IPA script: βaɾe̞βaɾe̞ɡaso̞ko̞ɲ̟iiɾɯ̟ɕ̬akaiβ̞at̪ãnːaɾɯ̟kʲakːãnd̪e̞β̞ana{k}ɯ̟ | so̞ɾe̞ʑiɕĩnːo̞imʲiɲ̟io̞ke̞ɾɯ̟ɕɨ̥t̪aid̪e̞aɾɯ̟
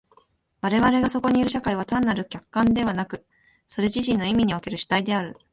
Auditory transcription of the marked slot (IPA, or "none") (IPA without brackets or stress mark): k